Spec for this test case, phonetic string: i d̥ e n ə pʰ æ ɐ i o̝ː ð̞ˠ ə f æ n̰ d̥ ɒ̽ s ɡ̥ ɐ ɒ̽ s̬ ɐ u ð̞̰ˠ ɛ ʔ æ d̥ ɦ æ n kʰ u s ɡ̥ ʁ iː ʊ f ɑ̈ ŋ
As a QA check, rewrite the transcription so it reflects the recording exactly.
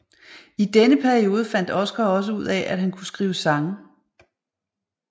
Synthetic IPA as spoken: i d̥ e n ə pʰ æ ɐ i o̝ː ð̞ˠ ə f æ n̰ d̥ ɒ̽ s ɡ̥ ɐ ɒ̽ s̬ ə u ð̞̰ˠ ɛ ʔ æ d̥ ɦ æ n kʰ u s ɡ̥ ʁ iː ʊ s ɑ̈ ŋ